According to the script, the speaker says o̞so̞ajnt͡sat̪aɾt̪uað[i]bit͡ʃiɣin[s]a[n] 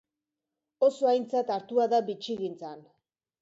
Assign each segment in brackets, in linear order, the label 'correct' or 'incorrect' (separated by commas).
incorrect, incorrect, correct